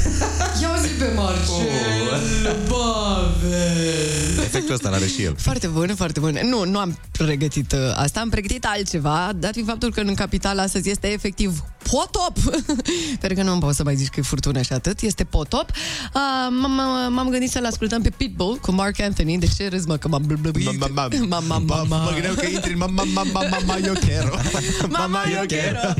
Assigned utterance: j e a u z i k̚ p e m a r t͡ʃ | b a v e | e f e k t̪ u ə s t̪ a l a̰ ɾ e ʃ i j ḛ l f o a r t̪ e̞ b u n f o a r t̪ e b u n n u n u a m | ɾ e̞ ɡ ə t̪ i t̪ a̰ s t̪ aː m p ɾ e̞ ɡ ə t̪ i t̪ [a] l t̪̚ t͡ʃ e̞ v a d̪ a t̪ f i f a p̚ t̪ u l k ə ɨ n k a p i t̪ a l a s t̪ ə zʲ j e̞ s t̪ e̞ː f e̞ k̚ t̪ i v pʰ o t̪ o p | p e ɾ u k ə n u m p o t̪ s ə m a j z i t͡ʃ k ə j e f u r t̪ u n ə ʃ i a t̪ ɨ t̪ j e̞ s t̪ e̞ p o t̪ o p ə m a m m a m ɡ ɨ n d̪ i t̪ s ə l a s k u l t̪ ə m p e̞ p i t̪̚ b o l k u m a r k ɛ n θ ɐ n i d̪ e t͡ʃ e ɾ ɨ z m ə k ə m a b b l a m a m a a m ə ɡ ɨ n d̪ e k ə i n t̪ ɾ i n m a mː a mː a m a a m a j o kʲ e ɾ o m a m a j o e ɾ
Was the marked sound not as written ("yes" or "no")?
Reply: no